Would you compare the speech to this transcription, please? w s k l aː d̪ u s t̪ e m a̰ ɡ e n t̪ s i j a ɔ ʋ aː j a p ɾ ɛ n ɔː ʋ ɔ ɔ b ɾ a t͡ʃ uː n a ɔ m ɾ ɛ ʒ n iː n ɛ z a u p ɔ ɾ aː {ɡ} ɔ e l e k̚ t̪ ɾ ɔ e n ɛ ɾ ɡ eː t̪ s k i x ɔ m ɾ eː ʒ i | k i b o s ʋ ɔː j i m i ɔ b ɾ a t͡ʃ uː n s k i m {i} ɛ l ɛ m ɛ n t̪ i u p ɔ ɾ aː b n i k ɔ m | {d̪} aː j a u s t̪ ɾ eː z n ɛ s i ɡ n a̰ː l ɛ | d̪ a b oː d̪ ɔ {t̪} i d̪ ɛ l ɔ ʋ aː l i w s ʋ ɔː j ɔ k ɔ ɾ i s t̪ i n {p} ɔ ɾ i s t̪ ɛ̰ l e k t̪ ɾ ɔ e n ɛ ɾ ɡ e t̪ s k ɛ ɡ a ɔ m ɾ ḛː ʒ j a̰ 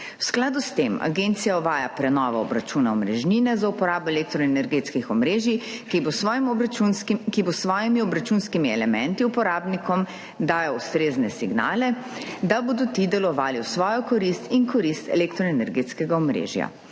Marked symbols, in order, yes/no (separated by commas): no, yes, yes, yes, no